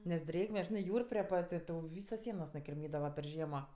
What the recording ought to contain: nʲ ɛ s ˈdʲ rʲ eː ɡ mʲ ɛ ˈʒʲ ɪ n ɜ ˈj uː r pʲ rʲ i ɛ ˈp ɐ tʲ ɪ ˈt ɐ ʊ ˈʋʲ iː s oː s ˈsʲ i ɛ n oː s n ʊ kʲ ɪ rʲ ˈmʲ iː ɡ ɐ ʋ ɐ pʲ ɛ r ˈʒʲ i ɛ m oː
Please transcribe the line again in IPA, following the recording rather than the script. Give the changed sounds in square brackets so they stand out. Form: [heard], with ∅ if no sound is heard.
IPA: nʲ ɛ s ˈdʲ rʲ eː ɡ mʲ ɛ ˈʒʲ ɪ n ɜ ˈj uː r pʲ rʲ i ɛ ˈp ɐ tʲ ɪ ˈt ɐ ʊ ˈʋʲ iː s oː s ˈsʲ i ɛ n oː s n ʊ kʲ ɪ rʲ ˈmʲ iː [d] ɐ ʋ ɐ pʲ ɛ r ˈʒʲ i ɛ m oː